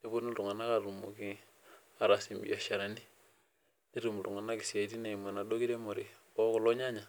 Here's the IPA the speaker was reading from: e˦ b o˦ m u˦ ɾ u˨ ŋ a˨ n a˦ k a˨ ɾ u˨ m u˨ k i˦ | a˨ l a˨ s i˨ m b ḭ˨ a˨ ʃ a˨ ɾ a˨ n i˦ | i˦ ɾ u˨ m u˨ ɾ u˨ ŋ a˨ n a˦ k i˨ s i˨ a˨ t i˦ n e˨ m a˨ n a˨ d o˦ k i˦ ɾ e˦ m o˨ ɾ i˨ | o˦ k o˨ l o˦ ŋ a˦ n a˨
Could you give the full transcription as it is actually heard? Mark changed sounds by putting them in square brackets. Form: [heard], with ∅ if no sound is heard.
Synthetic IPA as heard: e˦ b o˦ [n] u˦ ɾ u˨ ŋ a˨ n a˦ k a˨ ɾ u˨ m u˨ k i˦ | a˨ [ɾ] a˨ s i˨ m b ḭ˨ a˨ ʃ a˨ ɾ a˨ n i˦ | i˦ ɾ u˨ m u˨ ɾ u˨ ŋ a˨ n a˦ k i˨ s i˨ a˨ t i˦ n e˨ m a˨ n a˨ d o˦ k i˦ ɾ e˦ m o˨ ɾ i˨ | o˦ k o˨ l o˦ [ɲ] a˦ [ɲ] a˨